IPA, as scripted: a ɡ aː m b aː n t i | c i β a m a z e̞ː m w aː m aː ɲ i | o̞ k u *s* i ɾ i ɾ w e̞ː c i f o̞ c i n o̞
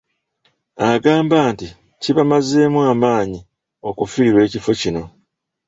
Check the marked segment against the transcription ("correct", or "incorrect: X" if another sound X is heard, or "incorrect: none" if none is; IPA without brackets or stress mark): incorrect: f